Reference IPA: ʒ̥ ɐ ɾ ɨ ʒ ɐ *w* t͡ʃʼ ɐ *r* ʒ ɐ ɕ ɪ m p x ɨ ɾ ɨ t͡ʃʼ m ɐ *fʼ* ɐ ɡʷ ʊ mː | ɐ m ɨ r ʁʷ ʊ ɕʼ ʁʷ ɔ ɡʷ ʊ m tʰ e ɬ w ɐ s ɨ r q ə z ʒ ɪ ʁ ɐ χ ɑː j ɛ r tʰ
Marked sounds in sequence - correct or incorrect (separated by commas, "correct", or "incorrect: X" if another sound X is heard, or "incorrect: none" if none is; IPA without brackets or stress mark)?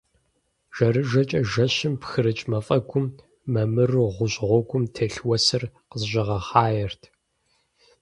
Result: incorrect: none, incorrect: none, correct